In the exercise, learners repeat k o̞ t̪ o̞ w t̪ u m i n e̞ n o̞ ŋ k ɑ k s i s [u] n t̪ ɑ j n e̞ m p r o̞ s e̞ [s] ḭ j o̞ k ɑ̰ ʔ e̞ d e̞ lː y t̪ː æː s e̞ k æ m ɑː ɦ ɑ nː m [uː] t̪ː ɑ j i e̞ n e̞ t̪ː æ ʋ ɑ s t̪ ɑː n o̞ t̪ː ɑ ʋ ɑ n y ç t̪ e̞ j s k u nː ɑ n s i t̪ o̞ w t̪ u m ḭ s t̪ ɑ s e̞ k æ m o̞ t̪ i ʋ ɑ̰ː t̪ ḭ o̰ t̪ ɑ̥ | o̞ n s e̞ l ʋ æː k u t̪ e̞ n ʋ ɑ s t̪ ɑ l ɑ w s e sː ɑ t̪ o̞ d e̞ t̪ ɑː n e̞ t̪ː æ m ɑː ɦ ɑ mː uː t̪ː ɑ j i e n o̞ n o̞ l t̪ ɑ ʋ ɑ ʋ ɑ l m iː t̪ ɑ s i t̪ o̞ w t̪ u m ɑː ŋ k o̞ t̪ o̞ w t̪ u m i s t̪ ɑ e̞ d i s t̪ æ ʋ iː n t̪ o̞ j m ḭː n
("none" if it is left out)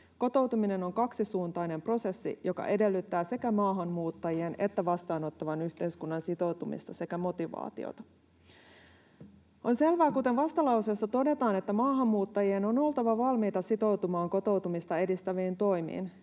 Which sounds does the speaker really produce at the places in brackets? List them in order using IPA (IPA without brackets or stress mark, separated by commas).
uː, sː, uː